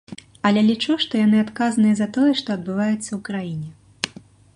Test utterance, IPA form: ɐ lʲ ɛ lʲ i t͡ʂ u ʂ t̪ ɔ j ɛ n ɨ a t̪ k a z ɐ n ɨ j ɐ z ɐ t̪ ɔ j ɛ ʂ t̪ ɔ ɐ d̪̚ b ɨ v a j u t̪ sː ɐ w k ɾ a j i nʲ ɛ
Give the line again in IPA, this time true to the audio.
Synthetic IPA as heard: ɐ lʲ ɛ lʲ i t͡ʂ u ʂ t̪ ɔ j a n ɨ a t̪ k a z ɐ n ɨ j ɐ z ɐ t̪ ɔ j ɛ ʂ t̪ ɔ ɐ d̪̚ b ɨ v a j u t̪ sː ɐ w k ɾ a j i nʲ ɛ